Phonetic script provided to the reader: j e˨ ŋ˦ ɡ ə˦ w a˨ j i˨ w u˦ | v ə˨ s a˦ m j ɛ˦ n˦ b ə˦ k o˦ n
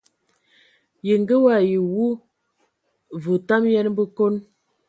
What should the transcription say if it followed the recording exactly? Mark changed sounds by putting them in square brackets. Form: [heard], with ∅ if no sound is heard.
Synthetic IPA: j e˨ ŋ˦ ɡ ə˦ w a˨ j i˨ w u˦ | v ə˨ [t] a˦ m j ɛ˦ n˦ b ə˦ k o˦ n